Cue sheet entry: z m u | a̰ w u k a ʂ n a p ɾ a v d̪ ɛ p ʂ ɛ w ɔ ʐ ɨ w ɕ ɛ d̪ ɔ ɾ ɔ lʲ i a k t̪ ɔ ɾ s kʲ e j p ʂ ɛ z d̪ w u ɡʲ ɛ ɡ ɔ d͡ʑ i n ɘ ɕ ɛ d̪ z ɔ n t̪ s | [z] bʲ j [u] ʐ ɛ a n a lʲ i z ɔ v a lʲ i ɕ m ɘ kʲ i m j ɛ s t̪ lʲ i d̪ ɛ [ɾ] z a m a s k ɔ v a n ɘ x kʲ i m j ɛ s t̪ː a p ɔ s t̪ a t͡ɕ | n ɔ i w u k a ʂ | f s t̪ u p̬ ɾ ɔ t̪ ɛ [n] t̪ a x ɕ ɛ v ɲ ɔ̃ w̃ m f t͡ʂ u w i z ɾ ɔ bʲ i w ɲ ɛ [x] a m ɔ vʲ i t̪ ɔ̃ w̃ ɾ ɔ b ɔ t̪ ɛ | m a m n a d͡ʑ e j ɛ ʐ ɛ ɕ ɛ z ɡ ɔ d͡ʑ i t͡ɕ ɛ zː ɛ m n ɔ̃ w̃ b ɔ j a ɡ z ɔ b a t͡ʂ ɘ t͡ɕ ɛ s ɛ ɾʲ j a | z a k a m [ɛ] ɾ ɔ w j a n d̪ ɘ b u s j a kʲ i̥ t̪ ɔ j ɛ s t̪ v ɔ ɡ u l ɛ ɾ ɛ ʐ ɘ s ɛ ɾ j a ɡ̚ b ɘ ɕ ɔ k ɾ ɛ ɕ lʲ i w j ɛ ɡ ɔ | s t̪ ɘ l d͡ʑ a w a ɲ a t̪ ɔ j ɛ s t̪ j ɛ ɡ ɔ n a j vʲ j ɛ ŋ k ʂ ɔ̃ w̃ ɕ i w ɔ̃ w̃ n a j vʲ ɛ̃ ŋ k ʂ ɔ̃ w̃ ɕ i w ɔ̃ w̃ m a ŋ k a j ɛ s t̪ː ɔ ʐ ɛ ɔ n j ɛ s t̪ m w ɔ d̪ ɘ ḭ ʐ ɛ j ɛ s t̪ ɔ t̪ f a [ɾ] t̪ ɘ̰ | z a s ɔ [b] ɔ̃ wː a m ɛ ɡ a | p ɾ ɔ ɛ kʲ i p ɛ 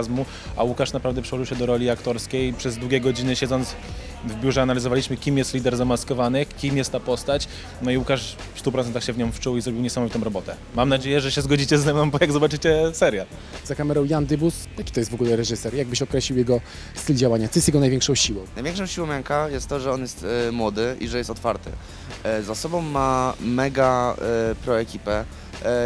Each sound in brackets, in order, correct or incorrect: incorrect: v, correct, correct, correct, incorrect: s, correct, correct, correct

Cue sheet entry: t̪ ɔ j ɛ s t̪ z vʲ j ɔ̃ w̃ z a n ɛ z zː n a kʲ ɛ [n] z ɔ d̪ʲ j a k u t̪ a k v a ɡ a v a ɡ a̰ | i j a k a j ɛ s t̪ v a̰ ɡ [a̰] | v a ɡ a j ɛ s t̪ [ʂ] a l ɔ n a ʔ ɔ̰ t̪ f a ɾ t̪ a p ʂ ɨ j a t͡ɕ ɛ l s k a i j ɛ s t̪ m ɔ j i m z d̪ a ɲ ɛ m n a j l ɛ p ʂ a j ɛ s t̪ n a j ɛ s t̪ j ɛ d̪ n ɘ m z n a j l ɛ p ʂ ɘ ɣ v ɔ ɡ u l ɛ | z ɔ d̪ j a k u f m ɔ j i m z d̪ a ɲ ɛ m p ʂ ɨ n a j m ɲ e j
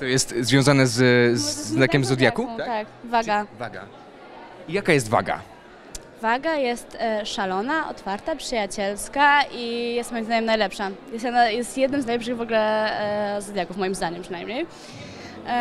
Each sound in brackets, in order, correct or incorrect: incorrect: m, correct, correct

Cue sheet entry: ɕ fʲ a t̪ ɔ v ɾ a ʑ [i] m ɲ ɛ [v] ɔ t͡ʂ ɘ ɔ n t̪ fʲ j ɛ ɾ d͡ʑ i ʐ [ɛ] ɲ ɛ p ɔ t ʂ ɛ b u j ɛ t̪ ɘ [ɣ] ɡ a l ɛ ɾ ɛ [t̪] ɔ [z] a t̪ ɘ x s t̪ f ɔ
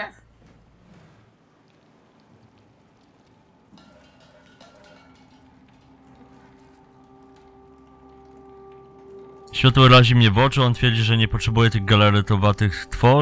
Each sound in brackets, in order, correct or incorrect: correct, correct, correct, correct, correct, incorrect: v

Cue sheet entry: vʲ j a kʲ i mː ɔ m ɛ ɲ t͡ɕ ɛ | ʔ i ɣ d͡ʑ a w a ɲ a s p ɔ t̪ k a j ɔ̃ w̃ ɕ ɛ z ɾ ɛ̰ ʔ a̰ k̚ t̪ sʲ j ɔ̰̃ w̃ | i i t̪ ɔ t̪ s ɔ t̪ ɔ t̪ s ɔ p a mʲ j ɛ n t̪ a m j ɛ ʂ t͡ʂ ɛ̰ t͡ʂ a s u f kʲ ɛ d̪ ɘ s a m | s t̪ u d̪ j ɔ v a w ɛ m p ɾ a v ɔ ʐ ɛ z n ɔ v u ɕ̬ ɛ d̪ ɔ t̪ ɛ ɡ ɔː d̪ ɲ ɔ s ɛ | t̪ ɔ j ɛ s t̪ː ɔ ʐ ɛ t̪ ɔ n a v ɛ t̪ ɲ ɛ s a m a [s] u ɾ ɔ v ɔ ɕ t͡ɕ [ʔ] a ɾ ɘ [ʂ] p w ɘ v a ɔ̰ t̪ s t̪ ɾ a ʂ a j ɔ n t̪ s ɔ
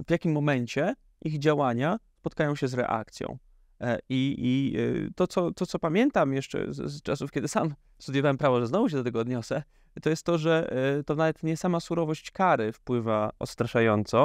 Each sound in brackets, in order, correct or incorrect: correct, incorrect: k, incorrect: f

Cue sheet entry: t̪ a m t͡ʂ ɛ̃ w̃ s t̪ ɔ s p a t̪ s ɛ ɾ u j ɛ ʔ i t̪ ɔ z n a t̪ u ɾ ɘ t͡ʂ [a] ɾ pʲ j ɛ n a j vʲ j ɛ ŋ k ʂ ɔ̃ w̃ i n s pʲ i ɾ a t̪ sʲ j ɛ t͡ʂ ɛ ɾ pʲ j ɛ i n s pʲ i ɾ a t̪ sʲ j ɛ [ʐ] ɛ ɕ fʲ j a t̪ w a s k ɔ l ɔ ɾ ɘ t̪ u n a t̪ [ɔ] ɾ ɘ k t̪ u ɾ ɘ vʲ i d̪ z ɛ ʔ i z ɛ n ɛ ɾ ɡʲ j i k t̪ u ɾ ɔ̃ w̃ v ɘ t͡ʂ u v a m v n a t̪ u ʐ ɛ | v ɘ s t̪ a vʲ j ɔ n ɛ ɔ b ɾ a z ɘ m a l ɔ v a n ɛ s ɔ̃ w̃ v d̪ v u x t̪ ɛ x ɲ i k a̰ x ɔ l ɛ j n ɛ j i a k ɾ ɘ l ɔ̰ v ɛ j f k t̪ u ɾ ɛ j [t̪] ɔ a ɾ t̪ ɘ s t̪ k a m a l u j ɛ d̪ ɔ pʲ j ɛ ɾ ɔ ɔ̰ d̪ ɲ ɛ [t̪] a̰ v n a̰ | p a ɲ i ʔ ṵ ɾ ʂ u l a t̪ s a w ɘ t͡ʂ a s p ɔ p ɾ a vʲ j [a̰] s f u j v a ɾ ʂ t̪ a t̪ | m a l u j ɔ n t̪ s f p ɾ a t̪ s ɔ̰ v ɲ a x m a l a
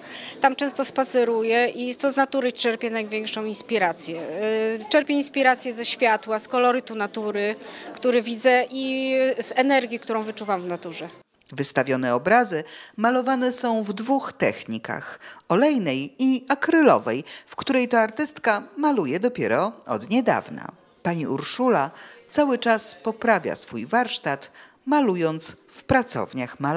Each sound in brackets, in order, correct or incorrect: incorrect: ɛ, incorrect: z, incorrect: u, correct, incorrect: d̪, correct

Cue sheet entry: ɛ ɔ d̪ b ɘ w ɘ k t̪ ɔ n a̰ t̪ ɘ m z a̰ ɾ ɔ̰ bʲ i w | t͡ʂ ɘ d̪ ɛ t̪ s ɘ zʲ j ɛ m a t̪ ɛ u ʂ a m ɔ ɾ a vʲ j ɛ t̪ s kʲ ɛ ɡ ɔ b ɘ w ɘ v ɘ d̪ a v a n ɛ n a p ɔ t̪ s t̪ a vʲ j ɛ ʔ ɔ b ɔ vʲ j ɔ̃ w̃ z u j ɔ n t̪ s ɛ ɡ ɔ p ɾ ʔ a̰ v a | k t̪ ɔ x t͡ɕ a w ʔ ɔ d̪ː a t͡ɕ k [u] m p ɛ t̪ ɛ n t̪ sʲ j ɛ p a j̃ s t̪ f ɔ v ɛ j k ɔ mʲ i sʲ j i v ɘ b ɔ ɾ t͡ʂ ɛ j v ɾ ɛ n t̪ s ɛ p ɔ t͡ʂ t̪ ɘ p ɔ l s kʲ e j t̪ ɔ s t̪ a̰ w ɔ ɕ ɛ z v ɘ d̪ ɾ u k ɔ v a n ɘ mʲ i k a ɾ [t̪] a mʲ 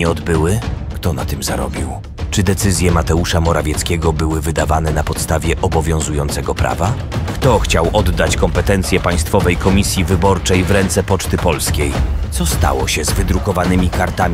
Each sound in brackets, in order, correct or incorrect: incorrect: ɔ, correct

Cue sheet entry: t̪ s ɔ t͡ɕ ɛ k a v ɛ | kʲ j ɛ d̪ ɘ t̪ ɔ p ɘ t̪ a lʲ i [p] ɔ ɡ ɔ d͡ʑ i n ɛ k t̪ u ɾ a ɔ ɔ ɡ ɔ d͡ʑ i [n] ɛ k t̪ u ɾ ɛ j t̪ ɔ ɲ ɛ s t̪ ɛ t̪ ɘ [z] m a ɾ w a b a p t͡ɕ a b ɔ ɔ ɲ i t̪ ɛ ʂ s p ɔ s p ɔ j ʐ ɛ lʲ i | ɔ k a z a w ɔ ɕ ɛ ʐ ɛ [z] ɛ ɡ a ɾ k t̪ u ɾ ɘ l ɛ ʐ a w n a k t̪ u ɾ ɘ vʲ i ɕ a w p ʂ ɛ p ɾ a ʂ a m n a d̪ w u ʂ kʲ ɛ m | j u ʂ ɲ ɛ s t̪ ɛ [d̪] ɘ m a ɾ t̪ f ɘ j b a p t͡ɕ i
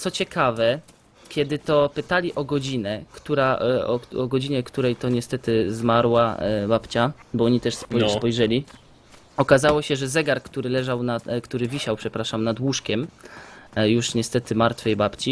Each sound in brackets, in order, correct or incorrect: incorrect: ʔ, incorrect: ɲ, correct, correct, incorrect: t̪

